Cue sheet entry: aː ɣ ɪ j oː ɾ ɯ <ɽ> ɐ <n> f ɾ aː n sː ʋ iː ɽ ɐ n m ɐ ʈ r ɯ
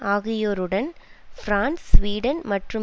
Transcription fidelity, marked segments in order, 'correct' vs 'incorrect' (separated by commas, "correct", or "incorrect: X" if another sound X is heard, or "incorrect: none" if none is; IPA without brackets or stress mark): correct, correct